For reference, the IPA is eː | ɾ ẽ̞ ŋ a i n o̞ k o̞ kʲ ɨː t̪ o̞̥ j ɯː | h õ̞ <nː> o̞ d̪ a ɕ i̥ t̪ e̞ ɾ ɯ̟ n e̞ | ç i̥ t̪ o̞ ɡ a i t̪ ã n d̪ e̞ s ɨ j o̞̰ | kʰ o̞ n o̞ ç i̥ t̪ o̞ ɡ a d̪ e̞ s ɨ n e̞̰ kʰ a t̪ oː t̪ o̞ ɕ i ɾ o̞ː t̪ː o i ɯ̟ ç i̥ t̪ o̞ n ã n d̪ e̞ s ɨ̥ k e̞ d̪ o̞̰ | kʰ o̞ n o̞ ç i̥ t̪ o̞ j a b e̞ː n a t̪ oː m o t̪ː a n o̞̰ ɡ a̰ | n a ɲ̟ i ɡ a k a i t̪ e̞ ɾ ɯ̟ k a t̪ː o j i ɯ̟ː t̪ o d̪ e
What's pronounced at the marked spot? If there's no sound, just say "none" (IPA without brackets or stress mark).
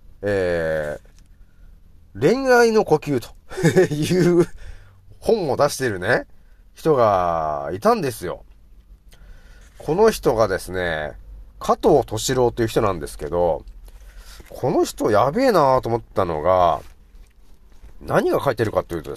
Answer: mː